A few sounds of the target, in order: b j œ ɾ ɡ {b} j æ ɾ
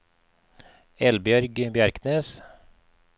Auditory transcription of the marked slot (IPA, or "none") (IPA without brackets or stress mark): b